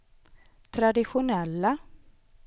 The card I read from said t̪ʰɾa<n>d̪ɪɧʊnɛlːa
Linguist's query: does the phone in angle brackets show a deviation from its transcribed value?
yes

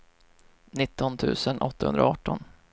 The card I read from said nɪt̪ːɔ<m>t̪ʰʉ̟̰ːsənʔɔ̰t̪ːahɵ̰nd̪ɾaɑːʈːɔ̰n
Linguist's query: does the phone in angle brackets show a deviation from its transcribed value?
yes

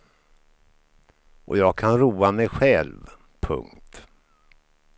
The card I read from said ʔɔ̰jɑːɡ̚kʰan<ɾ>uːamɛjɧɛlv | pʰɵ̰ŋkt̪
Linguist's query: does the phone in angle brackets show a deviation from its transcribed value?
no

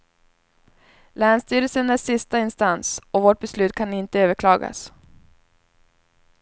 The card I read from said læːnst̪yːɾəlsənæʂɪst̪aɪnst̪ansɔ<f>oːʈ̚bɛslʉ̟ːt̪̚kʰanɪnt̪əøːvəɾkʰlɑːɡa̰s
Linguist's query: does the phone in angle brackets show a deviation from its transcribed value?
yes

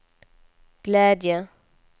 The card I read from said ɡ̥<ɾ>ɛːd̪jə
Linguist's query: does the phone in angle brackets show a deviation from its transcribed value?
yes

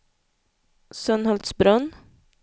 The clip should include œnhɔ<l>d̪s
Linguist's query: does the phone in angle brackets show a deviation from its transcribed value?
no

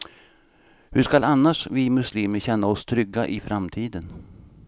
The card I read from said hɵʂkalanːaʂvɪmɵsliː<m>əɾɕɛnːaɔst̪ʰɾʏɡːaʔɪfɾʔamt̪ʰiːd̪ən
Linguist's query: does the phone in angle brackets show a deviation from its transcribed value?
no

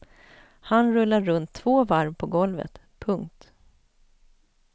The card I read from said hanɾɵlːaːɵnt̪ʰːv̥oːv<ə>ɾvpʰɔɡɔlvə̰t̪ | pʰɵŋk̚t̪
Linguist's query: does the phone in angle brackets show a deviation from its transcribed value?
yes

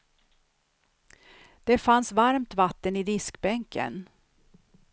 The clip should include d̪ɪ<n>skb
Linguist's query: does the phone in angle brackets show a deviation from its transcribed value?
yes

